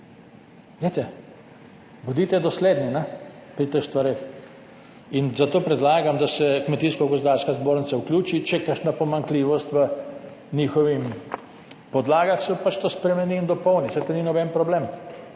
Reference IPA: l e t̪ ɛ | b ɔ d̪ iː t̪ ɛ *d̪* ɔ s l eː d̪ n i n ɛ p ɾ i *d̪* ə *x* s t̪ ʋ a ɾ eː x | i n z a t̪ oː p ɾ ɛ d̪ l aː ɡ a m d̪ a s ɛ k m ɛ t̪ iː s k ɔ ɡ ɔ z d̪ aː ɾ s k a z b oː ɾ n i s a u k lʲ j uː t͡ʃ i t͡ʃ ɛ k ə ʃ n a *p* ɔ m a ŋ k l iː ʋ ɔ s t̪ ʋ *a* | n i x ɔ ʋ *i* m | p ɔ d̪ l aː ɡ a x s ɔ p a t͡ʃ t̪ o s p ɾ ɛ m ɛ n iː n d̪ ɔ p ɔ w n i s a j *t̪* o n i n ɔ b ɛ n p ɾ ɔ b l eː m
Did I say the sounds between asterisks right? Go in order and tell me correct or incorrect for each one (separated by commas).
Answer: correct, incorrect, correct, correct, incorrect, correct, correct